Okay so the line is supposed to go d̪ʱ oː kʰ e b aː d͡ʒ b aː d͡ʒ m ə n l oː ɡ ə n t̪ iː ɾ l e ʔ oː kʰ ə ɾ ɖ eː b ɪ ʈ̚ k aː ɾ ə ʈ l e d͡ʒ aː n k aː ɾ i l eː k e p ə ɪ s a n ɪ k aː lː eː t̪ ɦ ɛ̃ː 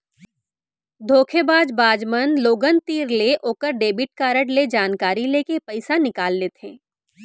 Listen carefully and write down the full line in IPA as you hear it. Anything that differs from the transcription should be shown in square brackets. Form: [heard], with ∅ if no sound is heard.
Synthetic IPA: d̪ʱ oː kʰ e b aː d͡ʒ b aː d͡ʒ m ə n l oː ɡ ə n t̪ iː ɾ l e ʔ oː [k] ə ɾ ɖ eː b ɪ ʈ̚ k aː ɾ ə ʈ l e d͡ʒ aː n k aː ɾ i l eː k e p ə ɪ s a n ɪ k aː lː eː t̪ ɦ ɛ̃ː